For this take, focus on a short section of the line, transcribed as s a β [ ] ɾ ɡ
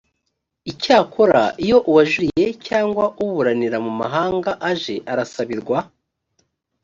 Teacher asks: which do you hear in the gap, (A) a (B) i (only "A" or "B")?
B